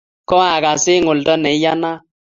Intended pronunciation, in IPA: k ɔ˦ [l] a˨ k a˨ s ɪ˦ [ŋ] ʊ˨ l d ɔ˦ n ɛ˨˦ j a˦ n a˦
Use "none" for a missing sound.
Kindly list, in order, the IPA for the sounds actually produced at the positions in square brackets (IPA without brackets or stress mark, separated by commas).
none, ŋ